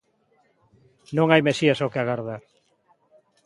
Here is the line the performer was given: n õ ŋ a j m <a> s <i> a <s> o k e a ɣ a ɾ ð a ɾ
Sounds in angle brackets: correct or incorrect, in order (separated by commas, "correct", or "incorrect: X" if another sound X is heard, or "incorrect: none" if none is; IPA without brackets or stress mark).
incorrect: e, correct, correct